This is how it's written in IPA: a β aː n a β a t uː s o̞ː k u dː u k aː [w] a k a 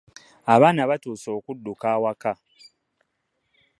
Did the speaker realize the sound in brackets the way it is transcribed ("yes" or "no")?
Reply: yes